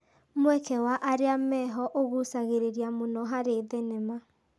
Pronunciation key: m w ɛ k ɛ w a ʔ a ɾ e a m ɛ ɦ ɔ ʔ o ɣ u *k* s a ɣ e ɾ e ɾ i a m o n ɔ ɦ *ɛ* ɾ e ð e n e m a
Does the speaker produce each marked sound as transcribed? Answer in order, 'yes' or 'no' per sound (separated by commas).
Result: no, no